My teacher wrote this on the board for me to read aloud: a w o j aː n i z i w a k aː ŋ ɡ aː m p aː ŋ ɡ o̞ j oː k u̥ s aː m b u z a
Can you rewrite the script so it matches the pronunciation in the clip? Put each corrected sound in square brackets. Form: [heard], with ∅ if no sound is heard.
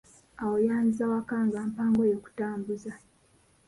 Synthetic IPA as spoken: a w o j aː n i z [a] w a k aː ŋ ɡ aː m p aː ŋ ɡ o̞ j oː k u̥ [t] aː m b u z a